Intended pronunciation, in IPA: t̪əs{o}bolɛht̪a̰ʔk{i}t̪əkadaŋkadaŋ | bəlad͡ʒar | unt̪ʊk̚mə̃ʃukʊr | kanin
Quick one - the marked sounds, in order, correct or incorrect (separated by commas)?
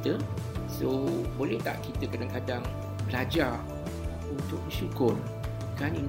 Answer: correct, correct